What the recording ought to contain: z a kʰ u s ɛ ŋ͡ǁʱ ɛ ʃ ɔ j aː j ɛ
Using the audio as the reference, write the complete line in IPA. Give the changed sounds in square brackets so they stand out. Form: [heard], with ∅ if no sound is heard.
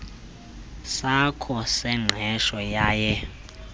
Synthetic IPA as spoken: [s] a kʰ [ɔ] s ɛ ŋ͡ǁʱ ɛ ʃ ɔ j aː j ɛ